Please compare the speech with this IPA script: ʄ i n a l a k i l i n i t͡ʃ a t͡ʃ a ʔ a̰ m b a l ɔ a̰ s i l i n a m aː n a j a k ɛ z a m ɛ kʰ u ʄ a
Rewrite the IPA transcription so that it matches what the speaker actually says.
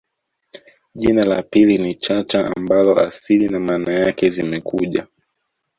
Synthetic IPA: ʄ i n a l a p i l i n i t͡ʃ a t͡ʃ a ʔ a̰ m b a l ɔ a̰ s i l i n a m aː n a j a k ɛ z i m ɛ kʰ u ʄ a